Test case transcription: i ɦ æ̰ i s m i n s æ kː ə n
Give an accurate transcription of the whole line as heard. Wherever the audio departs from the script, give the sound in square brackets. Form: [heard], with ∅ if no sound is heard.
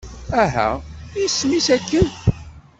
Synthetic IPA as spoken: [æ] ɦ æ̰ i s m i [∅] s æ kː ə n